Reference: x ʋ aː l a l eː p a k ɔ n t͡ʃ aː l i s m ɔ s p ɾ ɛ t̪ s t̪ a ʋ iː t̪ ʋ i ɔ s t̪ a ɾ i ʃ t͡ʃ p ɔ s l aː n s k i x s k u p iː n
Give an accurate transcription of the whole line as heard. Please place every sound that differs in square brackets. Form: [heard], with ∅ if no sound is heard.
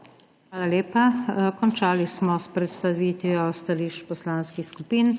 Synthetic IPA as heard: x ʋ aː l a l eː p a k ɔ n t͡ʃ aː l i s m ɔ s p ɾ ɛ t̪ s t̪ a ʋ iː t̪ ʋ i ɔ s t̪ a [l] i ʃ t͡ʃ p ɔ s l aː n s k i x s k u p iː n